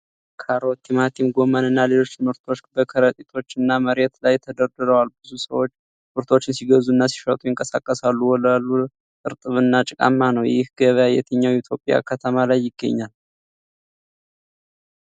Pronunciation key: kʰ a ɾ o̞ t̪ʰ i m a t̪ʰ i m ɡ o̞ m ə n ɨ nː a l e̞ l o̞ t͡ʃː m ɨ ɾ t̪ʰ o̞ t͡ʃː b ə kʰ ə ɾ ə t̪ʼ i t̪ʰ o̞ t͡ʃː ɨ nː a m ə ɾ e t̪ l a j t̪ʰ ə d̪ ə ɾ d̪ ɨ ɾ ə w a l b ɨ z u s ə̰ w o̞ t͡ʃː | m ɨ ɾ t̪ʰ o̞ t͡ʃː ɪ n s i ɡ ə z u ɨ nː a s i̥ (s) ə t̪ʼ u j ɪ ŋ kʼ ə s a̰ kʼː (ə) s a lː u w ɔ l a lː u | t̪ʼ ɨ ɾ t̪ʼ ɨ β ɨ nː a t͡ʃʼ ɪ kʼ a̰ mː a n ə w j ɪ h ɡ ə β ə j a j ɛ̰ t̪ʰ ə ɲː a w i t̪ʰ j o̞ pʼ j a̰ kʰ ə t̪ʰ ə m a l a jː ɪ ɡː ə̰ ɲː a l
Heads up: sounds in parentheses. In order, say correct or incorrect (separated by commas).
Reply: incorrect, correct